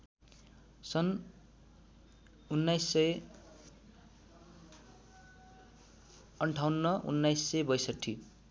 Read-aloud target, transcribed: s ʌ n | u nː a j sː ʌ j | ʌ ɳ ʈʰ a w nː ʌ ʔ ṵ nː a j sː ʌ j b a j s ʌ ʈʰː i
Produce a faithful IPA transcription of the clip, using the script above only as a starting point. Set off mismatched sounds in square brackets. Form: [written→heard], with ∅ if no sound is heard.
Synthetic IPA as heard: s ʌ n | u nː a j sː ʌ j | ʌ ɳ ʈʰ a w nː ʌ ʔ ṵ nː a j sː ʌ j b [a→ʌ] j s ʌ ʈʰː i